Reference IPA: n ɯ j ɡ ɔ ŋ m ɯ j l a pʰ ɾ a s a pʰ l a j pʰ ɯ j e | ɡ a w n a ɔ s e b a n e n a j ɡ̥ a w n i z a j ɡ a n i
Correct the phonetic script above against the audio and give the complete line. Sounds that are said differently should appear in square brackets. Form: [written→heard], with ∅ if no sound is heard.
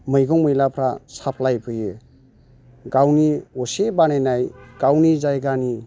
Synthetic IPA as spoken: [n→m] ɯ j ɡ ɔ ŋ m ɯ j l a pʰ ɾ a s a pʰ l a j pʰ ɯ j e | ɡ a w n [a→i] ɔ s e b a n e n a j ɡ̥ a w n i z a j ɡ a n i